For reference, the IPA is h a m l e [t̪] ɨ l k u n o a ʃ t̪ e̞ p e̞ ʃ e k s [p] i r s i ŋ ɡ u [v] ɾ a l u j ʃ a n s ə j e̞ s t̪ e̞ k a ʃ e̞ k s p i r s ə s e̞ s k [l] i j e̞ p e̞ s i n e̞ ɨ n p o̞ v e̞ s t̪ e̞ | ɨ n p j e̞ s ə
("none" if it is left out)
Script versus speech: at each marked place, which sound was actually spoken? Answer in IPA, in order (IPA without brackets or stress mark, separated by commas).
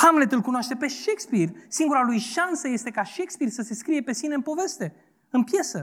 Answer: t̪, p, none, ɾ